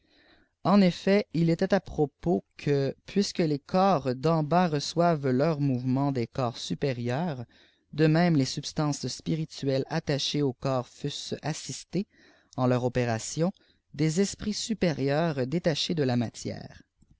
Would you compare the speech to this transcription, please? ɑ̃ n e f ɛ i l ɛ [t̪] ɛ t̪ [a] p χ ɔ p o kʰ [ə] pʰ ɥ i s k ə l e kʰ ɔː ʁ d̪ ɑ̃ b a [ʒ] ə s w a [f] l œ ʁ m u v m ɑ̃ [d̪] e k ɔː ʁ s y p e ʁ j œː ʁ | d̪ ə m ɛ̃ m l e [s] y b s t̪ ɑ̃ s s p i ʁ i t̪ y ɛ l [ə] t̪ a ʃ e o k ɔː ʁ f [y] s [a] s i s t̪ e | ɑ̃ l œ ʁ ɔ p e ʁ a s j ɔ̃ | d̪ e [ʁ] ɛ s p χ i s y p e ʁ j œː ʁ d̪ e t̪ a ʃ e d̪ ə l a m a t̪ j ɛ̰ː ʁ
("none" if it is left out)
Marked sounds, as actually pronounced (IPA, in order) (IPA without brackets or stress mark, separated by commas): t̪, a, ə, ʁ, v, d̪, s, a, y, a, z